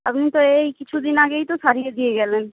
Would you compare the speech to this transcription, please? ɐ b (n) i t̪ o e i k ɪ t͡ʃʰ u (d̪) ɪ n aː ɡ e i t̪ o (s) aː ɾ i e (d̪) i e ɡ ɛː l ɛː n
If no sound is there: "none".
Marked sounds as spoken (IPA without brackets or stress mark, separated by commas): n, d̪, s, d̪